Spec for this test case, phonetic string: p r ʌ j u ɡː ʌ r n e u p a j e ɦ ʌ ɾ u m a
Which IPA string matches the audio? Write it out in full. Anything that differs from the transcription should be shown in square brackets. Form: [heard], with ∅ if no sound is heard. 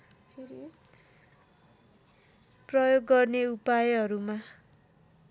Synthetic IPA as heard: p r ʌ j [o] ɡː ʌ r n e u p a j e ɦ ʌ ɾ u m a